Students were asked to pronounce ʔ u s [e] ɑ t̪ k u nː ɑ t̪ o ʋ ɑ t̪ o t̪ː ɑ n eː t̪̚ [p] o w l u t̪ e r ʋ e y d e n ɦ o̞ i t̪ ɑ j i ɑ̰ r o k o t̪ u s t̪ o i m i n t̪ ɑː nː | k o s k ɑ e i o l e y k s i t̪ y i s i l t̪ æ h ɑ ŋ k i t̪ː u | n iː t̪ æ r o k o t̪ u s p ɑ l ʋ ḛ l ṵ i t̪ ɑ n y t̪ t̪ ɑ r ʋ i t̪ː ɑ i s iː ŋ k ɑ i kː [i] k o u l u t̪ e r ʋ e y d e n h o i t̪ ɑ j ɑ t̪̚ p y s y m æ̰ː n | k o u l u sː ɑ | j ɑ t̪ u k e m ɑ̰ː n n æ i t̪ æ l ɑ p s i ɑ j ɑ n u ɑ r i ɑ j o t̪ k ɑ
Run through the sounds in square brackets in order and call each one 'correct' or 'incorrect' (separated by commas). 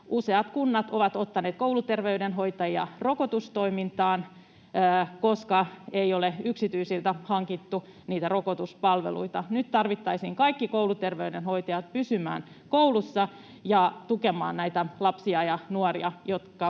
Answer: correct, incorrect, correct